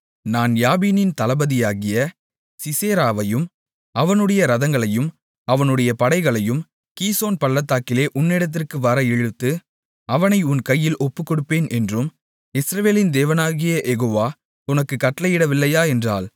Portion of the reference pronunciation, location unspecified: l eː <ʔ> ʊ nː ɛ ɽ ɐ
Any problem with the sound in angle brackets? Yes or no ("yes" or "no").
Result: no